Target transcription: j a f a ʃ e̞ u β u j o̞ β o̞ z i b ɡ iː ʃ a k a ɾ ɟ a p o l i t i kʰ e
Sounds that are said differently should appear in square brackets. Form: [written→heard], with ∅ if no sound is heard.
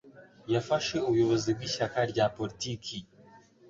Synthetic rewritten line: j a f a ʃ e̞ u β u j o̞ β o̞ z i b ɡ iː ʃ a k a ɾ ɟ a p o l i t i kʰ [e→i]